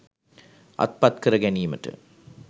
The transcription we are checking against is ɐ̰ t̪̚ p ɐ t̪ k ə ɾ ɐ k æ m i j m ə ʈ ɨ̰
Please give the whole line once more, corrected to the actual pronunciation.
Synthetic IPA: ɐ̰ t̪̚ p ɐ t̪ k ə ɾ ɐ ɡ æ n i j m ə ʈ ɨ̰